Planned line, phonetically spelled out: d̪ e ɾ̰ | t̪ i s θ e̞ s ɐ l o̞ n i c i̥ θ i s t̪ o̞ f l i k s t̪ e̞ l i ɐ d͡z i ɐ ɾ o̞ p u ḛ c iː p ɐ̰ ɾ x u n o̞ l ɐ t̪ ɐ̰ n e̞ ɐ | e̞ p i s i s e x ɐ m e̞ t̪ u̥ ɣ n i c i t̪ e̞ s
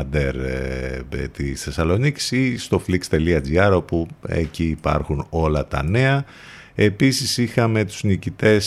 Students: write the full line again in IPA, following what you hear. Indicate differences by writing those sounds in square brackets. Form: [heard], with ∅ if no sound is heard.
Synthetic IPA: d̪ e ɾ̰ | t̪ i s θ e̞ s ɐ l o̞ n i c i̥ [s] i s t̪ o̞ f l i k s t̪ e̞ l i ɐ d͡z i ɐ ɾ o̞ p u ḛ c iː p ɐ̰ ɾ x u n o̞ l ɐ t̪ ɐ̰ n e̞ ɐ | e̞ p i s i s [i] x ɐ m e̞ t̪ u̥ [z] n i c i t̪ e̞ s